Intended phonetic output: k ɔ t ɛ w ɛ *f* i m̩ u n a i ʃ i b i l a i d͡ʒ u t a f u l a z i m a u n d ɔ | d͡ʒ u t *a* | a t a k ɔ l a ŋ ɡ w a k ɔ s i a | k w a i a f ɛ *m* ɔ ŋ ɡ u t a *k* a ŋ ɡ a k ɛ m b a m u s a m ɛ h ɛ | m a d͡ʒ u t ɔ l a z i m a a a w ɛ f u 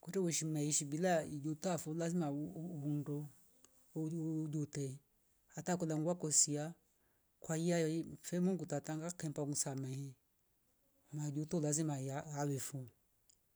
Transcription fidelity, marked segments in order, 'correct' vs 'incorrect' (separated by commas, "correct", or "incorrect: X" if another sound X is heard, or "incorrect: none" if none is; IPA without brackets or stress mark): incorrect: ʃ, incorrect: ɛ, correct, incorrect: t